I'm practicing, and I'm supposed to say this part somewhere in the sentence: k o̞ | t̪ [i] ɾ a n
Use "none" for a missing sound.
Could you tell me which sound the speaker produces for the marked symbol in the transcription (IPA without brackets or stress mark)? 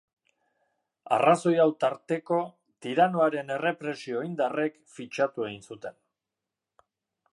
i